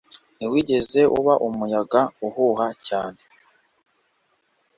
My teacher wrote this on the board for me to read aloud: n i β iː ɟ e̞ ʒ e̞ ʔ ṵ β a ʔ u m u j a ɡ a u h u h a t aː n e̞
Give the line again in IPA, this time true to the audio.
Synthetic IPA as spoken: n i w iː ɟ e̞ z e̞ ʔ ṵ β a ʔ u m u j a ɡ a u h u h a c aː n e̞